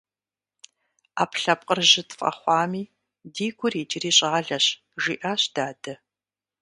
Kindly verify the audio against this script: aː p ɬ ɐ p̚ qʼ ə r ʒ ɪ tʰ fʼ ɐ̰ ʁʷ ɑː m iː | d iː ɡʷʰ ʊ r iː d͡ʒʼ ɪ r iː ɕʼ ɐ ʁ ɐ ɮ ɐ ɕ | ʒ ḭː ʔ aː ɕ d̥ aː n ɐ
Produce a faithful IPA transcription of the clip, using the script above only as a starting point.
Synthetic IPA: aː p ɬ ɐ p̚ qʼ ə r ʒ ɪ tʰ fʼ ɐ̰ χʷ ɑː m iː | d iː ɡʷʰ ʊ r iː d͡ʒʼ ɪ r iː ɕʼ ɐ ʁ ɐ ɮ ɐ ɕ | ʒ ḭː ʔ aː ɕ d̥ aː d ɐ